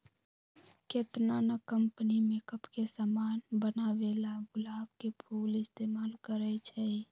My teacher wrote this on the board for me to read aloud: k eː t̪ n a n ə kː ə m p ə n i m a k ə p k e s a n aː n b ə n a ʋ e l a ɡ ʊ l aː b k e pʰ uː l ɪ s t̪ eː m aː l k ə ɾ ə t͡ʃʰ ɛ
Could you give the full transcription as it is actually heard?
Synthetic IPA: k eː t̪ n a n ə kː ə m p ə n i m e k ə p k e s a m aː n b ə n a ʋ e l a ɡ ʊ l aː b k e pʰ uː l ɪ s t̪ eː m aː l k ə ɾ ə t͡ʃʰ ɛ